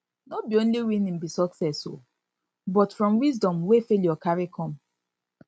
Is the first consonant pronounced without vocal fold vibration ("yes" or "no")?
no